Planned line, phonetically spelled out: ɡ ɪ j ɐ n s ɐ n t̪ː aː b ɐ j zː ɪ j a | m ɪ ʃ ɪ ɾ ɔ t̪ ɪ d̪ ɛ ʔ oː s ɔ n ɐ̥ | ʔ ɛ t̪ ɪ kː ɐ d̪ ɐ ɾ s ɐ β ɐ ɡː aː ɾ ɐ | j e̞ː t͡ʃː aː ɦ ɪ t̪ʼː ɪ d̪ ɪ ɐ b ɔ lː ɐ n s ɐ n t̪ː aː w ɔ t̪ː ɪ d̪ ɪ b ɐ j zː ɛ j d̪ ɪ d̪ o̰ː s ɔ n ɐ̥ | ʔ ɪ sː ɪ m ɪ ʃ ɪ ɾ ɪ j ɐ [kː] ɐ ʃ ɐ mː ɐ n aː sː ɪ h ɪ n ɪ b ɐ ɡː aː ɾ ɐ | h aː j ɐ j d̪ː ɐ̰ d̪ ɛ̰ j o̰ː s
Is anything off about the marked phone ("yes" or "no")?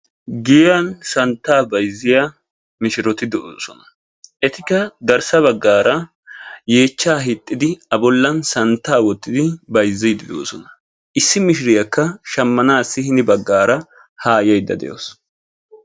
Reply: no